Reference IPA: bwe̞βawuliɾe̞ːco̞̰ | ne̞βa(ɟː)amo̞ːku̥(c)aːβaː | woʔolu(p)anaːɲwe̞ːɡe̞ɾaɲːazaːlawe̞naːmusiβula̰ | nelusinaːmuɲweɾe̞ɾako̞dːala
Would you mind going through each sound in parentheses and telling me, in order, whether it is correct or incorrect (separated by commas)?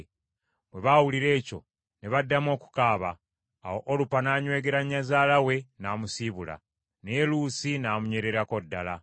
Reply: incorrect, incorrect, correct